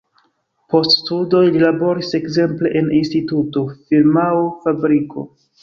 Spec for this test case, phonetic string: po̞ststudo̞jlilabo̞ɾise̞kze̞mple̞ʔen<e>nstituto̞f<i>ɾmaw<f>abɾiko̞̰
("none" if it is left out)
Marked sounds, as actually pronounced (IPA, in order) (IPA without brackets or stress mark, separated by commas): i, i, f